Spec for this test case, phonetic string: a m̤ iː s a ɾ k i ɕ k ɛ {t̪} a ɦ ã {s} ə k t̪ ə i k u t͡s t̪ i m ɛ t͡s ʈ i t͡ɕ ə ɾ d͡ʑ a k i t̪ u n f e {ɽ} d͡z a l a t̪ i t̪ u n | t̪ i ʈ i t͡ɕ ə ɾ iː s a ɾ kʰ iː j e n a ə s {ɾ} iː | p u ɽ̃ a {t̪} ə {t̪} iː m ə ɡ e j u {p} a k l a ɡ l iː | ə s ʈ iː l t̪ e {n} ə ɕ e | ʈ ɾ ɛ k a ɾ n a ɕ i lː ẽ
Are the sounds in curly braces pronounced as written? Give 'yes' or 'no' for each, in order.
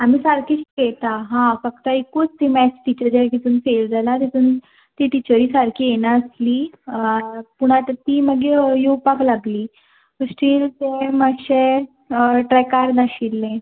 yes, no, no, no, yes, yes, yes, no

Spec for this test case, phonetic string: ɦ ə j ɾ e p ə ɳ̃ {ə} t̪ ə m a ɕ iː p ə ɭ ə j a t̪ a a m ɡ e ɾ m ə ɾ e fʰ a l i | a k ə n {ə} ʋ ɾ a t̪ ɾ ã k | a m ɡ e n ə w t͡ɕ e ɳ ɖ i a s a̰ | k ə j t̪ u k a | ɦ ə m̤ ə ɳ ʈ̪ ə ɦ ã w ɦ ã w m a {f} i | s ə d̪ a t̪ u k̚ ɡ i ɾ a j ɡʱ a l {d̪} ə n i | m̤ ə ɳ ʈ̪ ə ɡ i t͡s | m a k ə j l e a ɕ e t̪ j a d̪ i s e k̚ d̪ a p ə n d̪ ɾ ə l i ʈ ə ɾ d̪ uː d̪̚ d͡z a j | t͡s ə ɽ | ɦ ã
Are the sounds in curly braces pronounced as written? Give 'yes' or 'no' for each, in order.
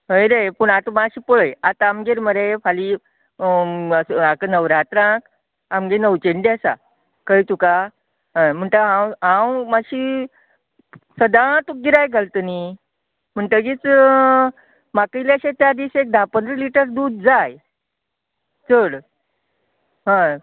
no, yes, no, no

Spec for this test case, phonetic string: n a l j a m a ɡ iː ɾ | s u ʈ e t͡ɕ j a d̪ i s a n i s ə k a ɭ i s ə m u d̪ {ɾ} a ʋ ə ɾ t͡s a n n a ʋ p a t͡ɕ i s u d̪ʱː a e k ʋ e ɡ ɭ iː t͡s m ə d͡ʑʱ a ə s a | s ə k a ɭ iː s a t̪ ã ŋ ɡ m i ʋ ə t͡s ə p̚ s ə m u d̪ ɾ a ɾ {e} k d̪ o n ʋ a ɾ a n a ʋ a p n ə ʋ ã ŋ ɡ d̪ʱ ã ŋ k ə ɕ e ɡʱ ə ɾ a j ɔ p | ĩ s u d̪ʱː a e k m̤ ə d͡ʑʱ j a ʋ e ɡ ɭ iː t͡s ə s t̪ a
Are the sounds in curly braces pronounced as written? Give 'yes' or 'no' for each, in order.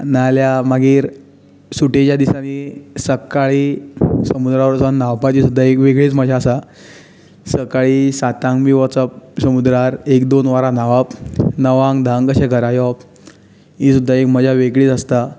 yes, yes

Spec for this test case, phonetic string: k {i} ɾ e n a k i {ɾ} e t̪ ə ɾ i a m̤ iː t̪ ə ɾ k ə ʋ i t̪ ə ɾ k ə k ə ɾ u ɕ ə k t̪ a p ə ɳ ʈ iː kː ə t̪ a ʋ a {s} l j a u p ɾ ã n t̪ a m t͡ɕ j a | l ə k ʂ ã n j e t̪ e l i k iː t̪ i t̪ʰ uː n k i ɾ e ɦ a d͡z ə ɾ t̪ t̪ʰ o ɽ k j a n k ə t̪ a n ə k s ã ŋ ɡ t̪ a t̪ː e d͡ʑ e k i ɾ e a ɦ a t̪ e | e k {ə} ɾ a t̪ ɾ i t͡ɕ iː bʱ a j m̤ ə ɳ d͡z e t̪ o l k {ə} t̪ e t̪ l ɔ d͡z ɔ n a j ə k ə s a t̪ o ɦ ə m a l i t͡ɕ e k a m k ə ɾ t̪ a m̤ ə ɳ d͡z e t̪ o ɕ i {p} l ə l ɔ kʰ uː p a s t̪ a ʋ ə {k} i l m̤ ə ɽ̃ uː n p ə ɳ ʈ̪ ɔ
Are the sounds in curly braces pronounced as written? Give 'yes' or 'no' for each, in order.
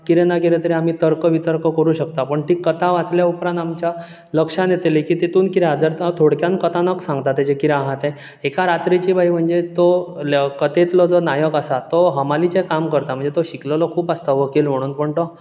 yes, yes, no, no, yes, no, yes

